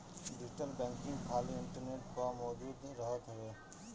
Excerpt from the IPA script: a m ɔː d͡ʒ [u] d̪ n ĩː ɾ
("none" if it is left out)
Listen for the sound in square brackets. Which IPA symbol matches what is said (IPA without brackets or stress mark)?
uː